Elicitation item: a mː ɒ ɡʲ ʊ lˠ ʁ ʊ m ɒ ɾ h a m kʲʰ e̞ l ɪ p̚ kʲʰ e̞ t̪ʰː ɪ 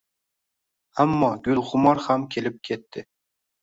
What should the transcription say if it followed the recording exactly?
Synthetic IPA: a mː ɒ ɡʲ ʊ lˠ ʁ ʊ m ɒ ɾ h a m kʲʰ e̞ l ɪ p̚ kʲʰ e̞ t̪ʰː ɪ